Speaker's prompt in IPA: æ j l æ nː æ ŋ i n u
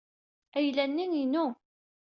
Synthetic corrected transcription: æ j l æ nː i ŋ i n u